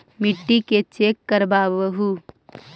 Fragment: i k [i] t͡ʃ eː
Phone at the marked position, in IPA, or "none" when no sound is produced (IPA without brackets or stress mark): e